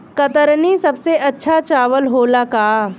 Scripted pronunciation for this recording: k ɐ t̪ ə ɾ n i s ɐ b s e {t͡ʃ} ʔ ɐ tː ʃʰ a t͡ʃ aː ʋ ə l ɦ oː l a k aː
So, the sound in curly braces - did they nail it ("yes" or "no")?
no